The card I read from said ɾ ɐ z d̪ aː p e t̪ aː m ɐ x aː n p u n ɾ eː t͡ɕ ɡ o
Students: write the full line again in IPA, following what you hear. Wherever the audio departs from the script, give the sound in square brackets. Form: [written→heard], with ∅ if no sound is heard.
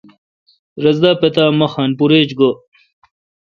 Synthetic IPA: ɾ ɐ z d̪ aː p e t̪ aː m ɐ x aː n p u [n→∅] ɾ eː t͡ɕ ɡ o